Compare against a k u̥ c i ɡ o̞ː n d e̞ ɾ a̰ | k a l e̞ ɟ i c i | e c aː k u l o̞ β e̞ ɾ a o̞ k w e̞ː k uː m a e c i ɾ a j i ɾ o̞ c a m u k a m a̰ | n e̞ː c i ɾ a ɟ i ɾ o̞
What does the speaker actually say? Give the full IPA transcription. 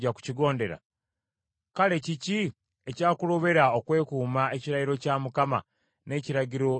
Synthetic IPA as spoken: a k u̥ c i ɡ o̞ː n d e̞ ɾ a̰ | k a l e̞ c i c i | e c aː k u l o̞ β e̞ ɾ a o̞ k w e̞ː k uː m a e c i ɾ a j i ɾ o̞ c a m u k a m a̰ | n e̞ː c i ɾ a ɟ i ɾ o̞